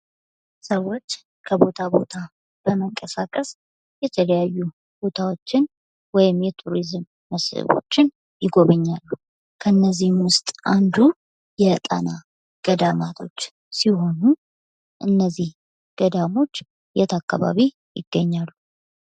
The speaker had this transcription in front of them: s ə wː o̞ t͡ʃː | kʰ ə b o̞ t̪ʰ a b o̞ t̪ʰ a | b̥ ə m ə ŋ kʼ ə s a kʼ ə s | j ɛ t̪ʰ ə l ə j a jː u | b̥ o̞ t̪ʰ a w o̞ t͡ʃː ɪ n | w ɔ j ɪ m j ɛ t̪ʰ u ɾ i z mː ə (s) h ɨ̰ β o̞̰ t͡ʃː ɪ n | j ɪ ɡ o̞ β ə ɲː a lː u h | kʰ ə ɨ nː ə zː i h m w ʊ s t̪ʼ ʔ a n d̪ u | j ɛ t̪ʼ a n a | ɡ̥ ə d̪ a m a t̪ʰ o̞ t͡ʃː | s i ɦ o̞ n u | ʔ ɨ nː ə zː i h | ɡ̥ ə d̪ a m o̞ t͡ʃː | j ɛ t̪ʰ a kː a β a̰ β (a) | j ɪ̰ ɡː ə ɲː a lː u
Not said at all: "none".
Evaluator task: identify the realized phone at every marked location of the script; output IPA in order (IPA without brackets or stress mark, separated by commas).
s, i